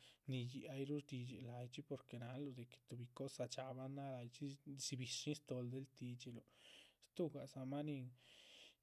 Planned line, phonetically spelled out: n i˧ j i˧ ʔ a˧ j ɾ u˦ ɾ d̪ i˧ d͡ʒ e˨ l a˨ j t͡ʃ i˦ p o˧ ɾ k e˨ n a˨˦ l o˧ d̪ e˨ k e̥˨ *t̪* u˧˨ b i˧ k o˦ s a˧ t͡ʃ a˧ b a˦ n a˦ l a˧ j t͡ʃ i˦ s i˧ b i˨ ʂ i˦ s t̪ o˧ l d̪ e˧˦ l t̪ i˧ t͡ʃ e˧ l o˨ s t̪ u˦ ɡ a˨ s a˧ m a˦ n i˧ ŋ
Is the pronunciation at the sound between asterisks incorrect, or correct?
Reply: correct